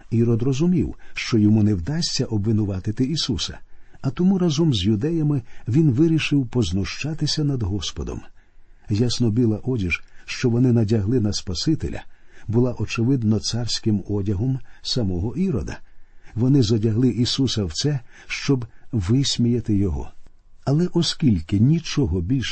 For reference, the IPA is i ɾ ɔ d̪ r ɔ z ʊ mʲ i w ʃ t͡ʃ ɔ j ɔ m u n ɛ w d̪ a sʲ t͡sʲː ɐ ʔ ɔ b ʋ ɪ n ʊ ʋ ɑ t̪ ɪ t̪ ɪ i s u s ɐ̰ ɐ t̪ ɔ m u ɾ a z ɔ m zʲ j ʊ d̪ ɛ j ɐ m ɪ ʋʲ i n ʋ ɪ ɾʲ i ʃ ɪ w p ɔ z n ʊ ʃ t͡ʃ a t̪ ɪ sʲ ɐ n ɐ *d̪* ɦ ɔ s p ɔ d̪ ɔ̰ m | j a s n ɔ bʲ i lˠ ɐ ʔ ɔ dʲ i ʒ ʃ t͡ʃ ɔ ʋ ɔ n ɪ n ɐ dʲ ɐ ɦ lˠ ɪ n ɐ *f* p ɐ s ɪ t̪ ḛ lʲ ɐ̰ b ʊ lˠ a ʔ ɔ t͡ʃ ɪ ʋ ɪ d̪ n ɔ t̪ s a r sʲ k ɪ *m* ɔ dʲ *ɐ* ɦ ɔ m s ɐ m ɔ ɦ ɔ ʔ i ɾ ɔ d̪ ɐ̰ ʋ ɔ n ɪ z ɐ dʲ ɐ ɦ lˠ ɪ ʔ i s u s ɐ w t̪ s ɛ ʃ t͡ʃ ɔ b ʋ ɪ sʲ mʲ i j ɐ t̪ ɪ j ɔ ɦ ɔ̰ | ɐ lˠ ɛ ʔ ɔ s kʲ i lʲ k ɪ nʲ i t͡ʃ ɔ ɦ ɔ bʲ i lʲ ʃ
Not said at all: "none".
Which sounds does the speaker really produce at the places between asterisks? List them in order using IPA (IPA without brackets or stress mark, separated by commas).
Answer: d̪, s, m, ɐ